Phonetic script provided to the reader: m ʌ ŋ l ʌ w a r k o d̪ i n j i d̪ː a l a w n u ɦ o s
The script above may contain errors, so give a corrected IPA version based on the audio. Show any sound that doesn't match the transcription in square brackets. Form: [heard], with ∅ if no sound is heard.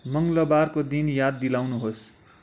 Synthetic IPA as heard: m ʌ ŋ l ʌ [b] a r k o d̪ i n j [a] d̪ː [i] l a w n u ɦ o s